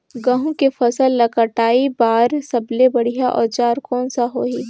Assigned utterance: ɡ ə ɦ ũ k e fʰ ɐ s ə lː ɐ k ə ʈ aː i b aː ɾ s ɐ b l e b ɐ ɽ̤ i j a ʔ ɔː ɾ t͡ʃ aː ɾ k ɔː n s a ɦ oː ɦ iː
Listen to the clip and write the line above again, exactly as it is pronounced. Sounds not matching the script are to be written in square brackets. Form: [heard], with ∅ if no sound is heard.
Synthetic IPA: ɡ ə ɦ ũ k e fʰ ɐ s ə lː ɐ k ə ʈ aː i b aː ɾ s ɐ b l e b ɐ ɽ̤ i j a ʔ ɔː ɾ t͡ʃ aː ɾ k ɔː n s a ɦ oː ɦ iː